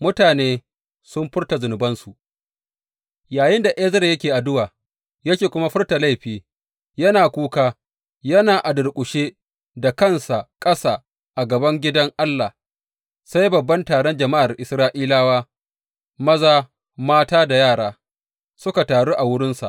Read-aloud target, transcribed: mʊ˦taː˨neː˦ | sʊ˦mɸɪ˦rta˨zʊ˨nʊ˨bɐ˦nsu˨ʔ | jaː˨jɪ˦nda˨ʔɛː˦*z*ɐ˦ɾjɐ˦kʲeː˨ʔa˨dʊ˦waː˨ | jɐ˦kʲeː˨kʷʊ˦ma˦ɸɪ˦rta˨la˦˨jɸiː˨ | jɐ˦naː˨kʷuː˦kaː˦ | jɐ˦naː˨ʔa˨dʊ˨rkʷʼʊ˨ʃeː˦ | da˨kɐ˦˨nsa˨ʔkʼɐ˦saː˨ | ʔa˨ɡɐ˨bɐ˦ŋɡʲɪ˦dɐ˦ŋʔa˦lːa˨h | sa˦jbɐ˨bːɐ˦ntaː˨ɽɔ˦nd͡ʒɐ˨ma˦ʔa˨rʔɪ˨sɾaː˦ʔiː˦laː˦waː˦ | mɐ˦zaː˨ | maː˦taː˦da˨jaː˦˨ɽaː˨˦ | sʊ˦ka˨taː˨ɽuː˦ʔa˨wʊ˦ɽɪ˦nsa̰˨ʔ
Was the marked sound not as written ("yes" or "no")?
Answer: no